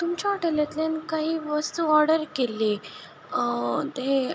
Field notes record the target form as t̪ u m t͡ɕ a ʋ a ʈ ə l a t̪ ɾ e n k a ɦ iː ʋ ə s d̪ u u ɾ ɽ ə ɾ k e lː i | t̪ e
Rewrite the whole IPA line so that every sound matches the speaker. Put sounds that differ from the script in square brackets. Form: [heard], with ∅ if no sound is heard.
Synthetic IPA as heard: t̪ u m t͡ɕ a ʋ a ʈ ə l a t̪ [l] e n k a ɦ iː ʋ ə s [t̪] u [ɔ] ɾ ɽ ə ɾ k e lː i | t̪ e

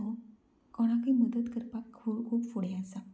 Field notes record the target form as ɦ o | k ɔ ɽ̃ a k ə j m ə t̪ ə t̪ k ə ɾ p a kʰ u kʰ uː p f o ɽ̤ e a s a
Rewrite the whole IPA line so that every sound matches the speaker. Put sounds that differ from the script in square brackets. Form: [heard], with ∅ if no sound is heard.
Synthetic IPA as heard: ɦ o | k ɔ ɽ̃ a k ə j m ə [d̪] ə t̪ k ə ɾ p a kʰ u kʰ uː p f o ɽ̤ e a s a

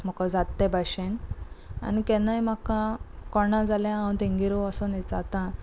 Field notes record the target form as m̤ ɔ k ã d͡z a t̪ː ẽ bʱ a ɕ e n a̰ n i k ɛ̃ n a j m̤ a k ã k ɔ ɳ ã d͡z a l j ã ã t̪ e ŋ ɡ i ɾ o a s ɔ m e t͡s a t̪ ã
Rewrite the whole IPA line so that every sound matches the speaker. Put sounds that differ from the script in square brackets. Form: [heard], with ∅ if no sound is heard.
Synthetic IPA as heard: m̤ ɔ k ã d͡z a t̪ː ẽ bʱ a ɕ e n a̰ n i k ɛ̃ n a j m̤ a k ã k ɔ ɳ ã d͡z a l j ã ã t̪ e ŋ ɡ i ɾ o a s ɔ [n] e t͡s a t̪ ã

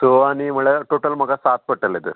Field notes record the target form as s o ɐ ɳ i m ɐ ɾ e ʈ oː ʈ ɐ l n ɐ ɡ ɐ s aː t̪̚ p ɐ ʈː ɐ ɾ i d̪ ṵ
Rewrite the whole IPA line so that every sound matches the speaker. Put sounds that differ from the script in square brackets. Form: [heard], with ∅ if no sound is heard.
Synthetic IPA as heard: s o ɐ [n] i m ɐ [ɭ] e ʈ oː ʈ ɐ l [m] ɐ ɡ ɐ s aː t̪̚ p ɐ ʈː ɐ [l] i d̪ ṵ

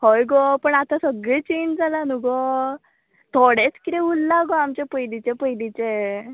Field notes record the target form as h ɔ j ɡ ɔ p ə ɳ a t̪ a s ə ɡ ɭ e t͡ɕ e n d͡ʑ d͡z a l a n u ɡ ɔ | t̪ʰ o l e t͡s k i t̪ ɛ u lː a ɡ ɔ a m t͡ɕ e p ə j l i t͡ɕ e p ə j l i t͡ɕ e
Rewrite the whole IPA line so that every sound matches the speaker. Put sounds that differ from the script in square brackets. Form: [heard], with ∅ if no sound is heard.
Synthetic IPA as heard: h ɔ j ɡ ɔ p ə ɳ a t̪ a s ə ɡ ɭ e t͡ɕ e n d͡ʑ d͡z a l a n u ɡ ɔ | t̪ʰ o [ɽ] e t͡s k i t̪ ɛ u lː a ɡ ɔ a m t͡ɕ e p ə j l i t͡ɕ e p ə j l i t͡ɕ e

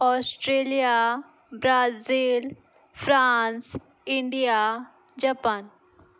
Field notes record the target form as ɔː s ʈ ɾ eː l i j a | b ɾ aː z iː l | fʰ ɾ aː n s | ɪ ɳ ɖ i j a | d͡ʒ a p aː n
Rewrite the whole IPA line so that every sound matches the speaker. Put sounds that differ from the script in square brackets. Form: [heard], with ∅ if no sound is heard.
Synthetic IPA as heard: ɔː s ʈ ɾ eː l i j a | b ɾ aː z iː l | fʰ ɾ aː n s | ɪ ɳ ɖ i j a | d͡ʒ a p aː n

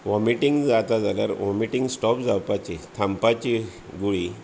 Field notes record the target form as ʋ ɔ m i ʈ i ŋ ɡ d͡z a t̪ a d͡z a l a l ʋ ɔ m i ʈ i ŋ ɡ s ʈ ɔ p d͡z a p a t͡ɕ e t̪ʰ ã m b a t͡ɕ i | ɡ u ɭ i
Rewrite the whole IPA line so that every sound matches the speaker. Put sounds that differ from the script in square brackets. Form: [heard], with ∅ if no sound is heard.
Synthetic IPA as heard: ʋ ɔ m i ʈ i ŋ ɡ d͡z a t̪ a d͡z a l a [ɾ] ʋ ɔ m i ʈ i ŋ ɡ s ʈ ɔ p d͡z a p a t͡ɕ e t̪ʰ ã m [p] a t͡ɕ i | ɡ u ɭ i

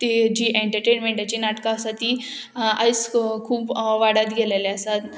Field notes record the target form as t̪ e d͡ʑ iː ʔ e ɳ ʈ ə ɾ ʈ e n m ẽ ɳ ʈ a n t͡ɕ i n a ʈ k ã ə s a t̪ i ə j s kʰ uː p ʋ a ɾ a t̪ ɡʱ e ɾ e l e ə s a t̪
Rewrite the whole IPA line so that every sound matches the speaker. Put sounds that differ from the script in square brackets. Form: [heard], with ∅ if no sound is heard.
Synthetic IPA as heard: t̪ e d͡ʑ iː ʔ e ɳ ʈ ə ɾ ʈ e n m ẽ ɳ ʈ a [∅] t͡ɕ i n a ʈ k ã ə s a t̪ i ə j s kʰ uː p ʋ a [ɽ] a t̪ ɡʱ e [l] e l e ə s a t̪

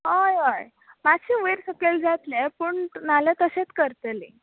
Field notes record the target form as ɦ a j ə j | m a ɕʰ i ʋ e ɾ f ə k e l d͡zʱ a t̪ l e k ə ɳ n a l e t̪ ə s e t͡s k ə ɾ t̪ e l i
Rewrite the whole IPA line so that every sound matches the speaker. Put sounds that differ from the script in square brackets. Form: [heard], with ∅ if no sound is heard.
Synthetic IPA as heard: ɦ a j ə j | m a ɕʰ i ʋ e ɾ [s] ə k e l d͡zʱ a t̪ l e [p] ə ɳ n a l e t̪ ə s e t͡s k ə ɾ t̪ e l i

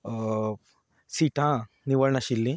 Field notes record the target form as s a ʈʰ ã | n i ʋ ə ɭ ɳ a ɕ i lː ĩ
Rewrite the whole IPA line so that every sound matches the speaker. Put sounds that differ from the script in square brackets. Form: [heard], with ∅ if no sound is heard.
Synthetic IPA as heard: s [i] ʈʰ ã | n i ʋ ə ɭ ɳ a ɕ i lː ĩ

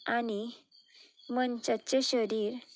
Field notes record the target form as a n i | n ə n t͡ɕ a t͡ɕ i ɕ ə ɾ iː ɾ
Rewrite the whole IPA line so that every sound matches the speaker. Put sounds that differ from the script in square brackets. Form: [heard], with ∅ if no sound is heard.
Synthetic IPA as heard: a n i | [m] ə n t͡ɕ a t͡ɕ [e] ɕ ə ɾ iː ɾ

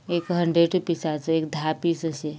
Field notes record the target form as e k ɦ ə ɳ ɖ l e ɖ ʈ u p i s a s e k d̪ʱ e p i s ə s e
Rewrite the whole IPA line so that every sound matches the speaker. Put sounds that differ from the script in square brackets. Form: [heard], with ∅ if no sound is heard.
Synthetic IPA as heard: e k ɦ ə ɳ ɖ [ɾ] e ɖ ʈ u p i s a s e k d̪ʱ [a] p i s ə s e

